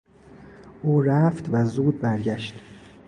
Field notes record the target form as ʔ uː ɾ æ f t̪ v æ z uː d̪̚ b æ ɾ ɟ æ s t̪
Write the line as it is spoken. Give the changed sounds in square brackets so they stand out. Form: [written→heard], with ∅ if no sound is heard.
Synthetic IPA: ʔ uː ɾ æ f t̪ v æ z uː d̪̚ b æ ɾ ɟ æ [s→ʃ] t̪